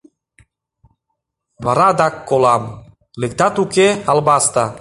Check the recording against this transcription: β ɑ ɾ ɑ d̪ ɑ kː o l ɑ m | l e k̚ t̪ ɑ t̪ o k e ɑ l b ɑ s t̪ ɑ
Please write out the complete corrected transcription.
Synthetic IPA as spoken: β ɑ ɾ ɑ d̪ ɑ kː o l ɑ m | l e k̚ t̪ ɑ t̪ u k e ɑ l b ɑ s t̪ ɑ